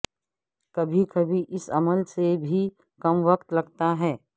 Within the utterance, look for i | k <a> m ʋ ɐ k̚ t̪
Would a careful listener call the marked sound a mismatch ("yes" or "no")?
yes